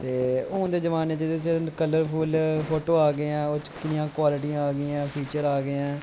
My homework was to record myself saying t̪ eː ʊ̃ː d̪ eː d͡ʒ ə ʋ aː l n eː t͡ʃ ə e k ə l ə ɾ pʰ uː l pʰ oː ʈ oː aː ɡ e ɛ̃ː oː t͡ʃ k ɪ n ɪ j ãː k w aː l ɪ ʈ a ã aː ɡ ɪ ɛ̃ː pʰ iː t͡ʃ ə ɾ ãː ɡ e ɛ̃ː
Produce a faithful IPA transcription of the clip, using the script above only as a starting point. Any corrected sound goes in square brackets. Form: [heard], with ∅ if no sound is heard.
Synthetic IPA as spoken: t̪ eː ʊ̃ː d̪ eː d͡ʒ ə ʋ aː [∅] n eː t͡ʃ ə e k ə l ə ɾ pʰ uː l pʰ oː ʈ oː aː ɡ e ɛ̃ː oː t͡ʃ k ɪ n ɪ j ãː k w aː l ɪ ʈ [i] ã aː ɡ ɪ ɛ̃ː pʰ iː t͡ʃ ə ɾ [aː] ɡ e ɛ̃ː

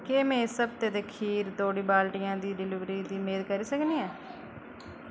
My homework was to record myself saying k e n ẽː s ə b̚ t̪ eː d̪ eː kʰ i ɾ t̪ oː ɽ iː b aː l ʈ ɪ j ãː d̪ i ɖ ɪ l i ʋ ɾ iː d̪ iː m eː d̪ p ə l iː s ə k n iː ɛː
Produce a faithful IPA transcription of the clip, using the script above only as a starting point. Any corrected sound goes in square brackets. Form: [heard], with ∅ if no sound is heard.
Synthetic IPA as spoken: k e [m] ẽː s ə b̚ t̪ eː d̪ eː kʰ [iː] ɾ t̪ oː ɽ iː b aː l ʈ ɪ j ãː d̪ [iː] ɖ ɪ l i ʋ ɾ iː d̪ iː m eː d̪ [k] ə [ɾ] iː s ə k n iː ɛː

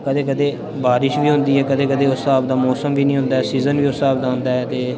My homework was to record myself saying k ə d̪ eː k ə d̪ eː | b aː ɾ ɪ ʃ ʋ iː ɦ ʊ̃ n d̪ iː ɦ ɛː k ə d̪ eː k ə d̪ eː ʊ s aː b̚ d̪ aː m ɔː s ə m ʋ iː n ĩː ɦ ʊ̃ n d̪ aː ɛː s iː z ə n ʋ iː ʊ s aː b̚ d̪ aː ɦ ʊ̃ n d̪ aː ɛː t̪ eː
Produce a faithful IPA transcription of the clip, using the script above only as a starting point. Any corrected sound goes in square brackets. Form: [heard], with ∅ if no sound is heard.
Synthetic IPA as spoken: k ə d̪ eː k ə d̪ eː | b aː ɾ ɪ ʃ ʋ iː ɦ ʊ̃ n d̪ iː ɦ ɛː k ə d̪ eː k ə d̪ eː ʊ s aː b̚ d̪ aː m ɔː s ə m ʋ iː n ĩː ɦ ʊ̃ n d̪ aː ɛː s iː z ə n ʋ iː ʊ s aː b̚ d̪ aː ɦ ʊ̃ n d̪ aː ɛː t̪ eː

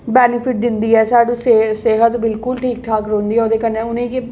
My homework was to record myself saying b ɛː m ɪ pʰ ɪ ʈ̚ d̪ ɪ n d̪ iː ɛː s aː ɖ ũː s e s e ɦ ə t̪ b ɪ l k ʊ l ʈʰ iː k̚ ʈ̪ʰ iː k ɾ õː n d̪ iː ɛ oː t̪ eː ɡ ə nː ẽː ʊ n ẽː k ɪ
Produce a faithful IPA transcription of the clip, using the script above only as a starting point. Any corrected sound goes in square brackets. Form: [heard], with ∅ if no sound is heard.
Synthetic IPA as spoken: b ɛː [n] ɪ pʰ ɪ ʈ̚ d̪ ɪ n d̪ iː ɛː s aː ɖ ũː s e s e ɦ ə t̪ b ɪ l k ʊ l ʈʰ iː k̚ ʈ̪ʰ [aː] k ɾ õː n d̪ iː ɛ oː [d̪] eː [k] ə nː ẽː ʊ n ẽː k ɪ

